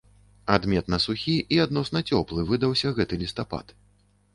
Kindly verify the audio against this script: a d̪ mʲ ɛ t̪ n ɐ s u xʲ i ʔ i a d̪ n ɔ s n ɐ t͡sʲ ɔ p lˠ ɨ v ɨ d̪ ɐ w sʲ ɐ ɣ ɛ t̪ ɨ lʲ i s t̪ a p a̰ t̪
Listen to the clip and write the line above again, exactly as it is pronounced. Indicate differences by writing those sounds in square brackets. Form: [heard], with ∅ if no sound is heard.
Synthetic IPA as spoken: a d̪ mʲ ɛ t̪ n ɐ s u xʲ i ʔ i a d̪ n ɔ s n ɐ t͡sʲ ɔ p lˠ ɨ v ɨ d̪ ɐ w sʲ ɐ ɣ ɛ t̪ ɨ lʲ i s t̪ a p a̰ t̪